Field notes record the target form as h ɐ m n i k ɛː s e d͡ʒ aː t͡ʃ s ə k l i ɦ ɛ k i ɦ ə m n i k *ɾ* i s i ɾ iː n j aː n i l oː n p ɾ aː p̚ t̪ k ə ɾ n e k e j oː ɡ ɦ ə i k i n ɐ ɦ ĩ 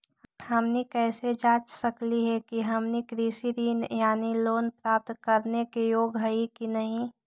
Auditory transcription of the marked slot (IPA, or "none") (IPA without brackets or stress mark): ɾ